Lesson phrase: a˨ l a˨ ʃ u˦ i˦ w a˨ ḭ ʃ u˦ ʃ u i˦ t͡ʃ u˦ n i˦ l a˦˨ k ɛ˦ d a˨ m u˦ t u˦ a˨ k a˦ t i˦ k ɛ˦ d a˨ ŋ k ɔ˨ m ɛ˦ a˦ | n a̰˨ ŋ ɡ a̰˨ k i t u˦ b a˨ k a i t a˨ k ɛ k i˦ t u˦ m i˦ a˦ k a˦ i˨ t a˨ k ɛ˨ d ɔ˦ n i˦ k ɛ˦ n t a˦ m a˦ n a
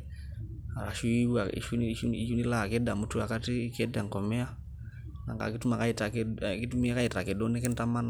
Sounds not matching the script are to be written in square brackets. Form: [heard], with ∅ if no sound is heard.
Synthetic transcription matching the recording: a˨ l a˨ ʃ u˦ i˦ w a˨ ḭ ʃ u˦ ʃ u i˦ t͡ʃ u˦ n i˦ l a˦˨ k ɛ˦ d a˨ m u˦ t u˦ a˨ k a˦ t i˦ k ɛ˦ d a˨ ŋ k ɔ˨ m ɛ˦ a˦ | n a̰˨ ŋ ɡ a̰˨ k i t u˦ [m] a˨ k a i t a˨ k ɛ k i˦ t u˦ m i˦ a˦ k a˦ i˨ t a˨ k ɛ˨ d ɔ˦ n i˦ k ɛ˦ n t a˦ m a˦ n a

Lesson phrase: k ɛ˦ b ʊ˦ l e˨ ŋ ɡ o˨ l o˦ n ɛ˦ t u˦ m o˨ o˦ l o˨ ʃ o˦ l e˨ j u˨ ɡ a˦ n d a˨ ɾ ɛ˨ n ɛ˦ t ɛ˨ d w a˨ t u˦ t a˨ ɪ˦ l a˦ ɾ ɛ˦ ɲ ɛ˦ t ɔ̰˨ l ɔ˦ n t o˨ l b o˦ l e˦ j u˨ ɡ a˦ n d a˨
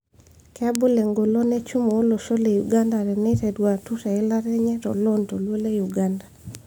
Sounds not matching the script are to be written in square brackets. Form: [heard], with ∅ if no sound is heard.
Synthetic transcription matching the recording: k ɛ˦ b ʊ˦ l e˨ ŋ ɡ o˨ l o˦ n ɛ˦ [t͡ʃ] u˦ m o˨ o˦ l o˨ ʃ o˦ l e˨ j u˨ ɡ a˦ n d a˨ ɾ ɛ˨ n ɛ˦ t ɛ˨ d w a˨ t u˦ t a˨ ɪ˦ l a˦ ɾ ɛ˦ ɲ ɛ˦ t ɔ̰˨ l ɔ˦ n t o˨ l [w] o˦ l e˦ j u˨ ɡ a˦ n d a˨

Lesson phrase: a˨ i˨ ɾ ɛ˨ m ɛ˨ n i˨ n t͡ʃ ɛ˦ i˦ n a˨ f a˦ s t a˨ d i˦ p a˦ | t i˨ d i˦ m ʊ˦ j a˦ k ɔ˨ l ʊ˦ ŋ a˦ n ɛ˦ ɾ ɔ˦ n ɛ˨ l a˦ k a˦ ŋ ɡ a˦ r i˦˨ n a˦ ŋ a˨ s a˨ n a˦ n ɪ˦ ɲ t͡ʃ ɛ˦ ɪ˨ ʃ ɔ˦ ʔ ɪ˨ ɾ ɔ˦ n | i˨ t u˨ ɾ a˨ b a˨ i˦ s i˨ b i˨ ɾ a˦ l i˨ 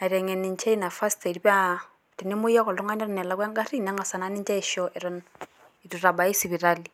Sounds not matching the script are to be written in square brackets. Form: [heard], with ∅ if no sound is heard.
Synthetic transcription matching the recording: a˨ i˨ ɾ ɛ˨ [ŋ] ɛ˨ n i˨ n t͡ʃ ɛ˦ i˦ n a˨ f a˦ s t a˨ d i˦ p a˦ | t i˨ [n] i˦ m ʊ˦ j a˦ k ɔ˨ l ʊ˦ ŋ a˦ n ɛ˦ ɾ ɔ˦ n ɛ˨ l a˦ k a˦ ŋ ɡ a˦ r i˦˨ n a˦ ŋ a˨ s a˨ n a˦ n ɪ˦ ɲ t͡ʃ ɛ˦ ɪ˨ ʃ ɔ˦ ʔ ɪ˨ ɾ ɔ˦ n | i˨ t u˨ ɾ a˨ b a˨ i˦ s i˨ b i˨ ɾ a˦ l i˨

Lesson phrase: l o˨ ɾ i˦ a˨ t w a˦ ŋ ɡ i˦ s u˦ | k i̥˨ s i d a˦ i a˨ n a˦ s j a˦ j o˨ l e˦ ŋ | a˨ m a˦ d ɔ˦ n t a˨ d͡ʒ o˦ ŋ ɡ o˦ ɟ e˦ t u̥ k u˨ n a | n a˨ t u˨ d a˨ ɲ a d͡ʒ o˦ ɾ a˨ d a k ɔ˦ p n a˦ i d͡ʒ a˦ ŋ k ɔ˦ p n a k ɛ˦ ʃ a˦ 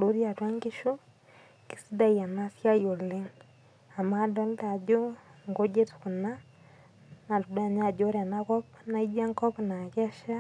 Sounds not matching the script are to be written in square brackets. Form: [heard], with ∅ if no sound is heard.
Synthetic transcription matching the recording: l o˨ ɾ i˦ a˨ t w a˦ ŋ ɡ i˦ [ʃ] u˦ | k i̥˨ s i d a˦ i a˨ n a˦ s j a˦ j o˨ l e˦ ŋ | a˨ m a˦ d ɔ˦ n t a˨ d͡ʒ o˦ ŋ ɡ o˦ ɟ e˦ t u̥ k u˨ n a | n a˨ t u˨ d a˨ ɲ a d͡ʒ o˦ ɾ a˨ [n] a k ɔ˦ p n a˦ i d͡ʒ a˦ ŋ k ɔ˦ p n a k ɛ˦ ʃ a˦

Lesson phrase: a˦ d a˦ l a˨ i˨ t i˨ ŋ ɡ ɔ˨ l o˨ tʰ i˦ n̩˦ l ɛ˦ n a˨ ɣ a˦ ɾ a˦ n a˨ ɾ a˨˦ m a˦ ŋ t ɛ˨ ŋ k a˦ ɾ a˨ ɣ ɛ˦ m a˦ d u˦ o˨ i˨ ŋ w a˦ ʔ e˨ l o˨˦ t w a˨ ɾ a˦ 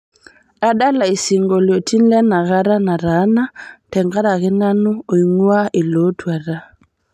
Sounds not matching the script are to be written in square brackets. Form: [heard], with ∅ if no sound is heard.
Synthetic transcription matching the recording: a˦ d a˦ l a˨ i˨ [s] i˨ ŋ ɡ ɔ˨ l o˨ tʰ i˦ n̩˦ l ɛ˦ n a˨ ɣ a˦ ɾ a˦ n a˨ ɾ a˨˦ [n] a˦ [∅] t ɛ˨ ŋ [ɡ] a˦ ɾ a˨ ɣ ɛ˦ [n] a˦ [n] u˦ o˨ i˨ ŋ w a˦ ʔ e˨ l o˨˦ t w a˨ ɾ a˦

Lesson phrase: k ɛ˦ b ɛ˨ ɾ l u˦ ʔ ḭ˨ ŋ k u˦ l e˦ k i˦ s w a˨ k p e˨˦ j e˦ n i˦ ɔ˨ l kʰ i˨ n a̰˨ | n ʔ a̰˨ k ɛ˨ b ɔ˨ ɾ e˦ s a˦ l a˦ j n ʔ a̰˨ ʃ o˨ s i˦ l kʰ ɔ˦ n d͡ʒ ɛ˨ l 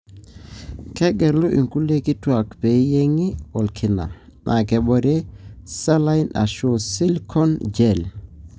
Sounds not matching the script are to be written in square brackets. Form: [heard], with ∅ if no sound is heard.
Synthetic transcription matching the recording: k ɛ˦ [ɡ] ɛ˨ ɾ l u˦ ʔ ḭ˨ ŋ k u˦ l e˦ k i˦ [t] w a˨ k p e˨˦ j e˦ [ŋ] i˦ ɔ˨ l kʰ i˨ n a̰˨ | n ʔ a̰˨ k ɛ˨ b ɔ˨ ɾ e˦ s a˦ l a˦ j n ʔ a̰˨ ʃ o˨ s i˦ l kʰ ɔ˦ n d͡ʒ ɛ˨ l

